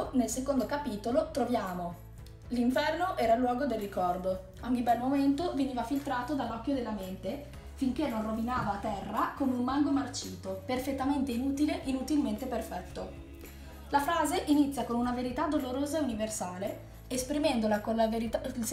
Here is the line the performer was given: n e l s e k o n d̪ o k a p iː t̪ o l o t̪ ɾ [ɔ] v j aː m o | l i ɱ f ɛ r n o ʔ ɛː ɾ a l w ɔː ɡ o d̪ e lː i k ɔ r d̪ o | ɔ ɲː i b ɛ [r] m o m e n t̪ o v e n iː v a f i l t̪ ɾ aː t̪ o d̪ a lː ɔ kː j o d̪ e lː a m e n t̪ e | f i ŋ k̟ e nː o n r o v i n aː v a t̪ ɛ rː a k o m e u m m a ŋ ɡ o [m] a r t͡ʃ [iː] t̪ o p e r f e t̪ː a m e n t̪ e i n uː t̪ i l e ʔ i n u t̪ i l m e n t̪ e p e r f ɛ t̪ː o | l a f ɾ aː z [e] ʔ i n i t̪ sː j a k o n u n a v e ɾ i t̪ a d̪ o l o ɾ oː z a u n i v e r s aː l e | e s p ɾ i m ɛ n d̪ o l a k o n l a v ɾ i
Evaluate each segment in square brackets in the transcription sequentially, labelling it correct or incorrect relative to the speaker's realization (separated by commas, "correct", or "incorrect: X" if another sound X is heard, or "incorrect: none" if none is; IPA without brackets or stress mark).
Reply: incorrect: o, incorrect: l, correct, correct, correct